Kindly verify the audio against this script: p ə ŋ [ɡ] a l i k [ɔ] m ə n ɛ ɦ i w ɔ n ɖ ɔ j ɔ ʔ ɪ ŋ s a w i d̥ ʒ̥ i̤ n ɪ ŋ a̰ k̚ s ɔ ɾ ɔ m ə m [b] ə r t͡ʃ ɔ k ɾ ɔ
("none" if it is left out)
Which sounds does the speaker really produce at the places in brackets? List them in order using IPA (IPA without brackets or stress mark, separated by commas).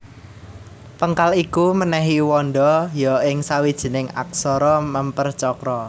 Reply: k, u, p